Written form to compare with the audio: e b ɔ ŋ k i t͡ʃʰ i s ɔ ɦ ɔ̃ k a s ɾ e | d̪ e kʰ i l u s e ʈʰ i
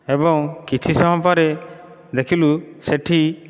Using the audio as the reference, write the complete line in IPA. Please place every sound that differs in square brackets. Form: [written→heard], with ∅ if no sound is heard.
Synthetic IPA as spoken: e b ɔ ŋ k i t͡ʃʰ i s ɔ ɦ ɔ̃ [k→p] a [s→∅] ɾ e | d̪ e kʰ i l u s e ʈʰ i